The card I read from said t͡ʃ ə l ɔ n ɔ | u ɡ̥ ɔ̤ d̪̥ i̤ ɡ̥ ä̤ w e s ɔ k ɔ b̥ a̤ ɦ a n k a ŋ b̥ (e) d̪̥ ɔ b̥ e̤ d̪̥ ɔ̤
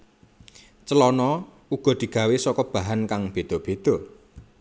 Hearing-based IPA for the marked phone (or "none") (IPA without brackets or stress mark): e